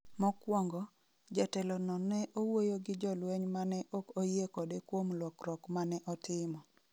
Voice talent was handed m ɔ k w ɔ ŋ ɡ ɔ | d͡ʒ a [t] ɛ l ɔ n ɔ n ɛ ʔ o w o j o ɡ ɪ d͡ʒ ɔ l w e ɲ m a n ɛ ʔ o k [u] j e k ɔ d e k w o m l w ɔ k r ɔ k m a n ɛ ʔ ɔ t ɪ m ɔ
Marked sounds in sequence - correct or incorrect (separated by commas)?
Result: correct, incorrect